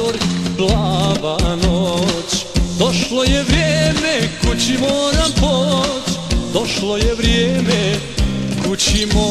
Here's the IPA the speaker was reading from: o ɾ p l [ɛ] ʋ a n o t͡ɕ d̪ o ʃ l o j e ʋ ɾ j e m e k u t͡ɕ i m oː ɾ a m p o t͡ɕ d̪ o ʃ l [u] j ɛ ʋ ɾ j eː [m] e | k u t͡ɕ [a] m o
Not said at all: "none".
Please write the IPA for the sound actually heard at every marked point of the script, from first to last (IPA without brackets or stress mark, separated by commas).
a, o, m, i